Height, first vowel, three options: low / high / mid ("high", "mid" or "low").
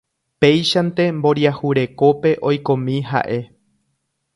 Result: mid